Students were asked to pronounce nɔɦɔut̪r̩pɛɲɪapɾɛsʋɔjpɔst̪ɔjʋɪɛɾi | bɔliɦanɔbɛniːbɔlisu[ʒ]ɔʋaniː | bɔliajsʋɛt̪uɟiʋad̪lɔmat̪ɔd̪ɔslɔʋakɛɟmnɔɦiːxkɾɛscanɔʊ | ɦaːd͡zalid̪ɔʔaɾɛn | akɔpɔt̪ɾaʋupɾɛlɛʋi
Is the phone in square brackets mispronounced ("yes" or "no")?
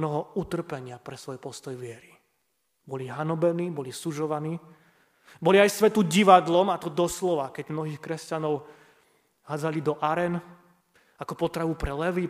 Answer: no